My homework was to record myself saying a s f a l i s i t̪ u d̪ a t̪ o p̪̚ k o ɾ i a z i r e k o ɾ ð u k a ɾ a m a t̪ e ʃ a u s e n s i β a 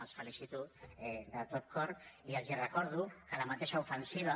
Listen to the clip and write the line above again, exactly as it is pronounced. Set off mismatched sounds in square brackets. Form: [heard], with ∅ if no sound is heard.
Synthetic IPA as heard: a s f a l i s i t̪ u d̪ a t̪ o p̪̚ k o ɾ i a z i r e k o ɾ ð u k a [l] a m a t̪ e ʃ a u [f] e n s i β a